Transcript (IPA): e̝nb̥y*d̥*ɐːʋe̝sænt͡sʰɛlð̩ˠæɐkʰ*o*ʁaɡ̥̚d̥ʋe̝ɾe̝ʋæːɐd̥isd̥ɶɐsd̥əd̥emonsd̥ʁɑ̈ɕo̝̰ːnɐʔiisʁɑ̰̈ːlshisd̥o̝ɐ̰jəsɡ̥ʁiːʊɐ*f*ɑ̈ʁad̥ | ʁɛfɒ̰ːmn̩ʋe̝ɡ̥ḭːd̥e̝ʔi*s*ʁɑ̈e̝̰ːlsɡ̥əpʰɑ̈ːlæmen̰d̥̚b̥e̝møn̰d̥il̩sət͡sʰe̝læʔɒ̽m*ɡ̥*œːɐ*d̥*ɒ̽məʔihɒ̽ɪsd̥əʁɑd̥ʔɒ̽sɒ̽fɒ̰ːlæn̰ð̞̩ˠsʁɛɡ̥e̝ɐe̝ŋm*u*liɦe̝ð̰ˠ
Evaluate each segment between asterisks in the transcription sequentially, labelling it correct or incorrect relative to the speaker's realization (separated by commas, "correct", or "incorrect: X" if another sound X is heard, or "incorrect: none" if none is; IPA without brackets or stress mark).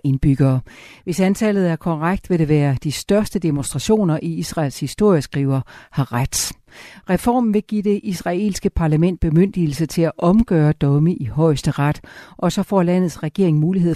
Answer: incorrect: ɡ̥, incorrect: ɒ, incorrect: h, correct, correct, correct, incorrect: uː